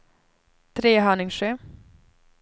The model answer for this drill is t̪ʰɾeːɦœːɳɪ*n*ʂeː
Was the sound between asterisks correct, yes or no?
no